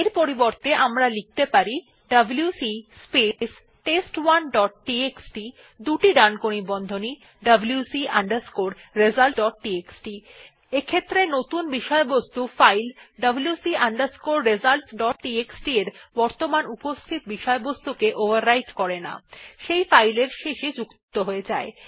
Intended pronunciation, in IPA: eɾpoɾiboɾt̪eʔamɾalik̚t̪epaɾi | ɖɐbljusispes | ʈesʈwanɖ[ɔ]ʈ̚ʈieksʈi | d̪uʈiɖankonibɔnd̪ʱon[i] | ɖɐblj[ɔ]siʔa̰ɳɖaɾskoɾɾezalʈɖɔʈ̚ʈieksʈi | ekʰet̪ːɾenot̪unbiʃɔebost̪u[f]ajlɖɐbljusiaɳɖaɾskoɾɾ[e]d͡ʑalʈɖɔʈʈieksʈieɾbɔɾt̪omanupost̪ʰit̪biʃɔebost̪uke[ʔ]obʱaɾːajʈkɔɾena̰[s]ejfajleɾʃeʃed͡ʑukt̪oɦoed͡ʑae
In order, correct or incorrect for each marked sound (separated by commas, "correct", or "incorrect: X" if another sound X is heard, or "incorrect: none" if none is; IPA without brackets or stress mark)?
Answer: correct, correct, incorrect: u, correct, correct, correct, incorrect: ʃ